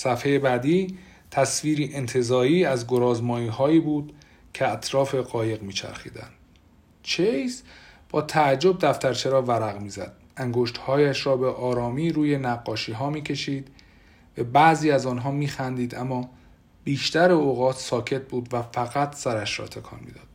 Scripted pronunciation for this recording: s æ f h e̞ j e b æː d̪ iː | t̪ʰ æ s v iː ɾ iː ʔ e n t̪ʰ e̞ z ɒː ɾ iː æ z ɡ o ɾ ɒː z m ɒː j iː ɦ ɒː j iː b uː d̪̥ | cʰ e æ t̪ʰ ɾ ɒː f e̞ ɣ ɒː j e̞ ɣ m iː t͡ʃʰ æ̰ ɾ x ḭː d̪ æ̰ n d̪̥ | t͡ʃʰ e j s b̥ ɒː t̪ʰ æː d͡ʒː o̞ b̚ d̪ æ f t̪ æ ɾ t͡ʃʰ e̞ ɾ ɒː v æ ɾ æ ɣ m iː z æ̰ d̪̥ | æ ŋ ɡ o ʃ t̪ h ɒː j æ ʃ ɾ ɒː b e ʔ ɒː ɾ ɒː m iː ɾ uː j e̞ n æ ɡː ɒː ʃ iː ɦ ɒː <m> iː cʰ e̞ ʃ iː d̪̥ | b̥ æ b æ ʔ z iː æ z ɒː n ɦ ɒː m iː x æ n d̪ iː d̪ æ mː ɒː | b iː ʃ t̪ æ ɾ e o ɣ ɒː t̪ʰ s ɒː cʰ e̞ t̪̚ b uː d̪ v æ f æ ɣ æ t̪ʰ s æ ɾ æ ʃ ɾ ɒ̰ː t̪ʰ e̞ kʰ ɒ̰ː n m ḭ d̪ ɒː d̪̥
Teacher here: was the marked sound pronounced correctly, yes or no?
yes